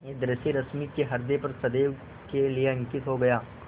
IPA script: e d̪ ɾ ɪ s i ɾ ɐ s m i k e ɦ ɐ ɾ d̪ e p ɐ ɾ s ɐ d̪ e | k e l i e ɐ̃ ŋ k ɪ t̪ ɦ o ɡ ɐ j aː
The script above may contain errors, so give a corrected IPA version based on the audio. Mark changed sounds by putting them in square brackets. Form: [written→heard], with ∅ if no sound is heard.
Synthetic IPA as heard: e d̪ ɾ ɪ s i ɾ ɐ s m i k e ɦ ɐ ɾ d̪ e p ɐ ɾ s ɐ d̪ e | k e l i e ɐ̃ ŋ k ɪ t̪ ɦ o ɡ ɐ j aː